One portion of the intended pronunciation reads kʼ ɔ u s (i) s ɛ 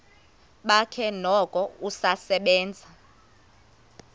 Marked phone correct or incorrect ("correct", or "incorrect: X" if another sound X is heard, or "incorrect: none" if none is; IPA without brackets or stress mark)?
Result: incorrect: a